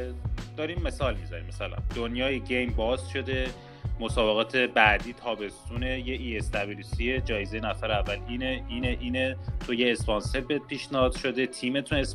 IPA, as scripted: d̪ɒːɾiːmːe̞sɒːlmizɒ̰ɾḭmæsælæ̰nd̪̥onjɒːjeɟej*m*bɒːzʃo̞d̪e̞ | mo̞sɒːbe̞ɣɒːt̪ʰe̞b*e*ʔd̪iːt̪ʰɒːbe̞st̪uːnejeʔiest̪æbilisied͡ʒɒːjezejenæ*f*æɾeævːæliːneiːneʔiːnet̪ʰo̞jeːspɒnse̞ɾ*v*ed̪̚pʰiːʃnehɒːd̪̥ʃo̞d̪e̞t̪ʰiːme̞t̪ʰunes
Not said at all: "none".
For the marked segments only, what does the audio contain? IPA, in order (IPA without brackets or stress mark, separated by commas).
m, æ, f, b